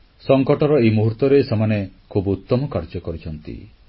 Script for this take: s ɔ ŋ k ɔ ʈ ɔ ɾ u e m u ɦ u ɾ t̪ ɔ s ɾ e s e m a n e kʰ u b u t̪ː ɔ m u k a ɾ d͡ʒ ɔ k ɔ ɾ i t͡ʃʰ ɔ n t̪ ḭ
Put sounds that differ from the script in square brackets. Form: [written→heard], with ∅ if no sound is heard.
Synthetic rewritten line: s ɔ ŋ k ɔ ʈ ɔ ɾ [u→ɔ] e m u ɦ u ɾ t̪ ɔ [s→∅] ɾ e s e m a n e kʰ u b u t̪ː ɔ m [u→ɔ] k a ɾ d͡ʒ ɔ k ɔ ɾ i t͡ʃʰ ɔ n t̪ ḭ